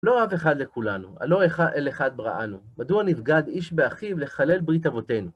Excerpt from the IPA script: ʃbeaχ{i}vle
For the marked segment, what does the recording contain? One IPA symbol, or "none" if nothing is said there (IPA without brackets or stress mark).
i